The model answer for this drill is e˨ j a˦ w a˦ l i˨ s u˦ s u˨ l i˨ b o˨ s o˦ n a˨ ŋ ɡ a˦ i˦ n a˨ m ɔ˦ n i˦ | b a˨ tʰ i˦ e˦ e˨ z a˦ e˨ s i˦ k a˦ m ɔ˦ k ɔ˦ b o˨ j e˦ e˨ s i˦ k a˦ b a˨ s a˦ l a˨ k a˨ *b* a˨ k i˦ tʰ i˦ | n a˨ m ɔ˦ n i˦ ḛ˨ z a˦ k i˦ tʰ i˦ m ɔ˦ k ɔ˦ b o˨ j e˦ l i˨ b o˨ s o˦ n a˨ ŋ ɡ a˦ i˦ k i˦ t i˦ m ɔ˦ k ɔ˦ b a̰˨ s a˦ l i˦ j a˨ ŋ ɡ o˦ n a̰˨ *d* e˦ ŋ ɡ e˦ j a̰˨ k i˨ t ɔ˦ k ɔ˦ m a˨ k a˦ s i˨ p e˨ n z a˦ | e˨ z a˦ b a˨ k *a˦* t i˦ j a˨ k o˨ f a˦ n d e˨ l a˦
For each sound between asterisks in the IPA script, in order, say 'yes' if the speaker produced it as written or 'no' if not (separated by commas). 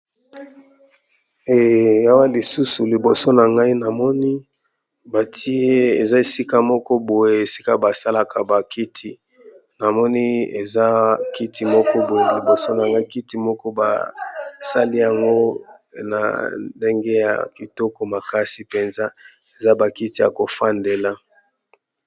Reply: yes, yes, no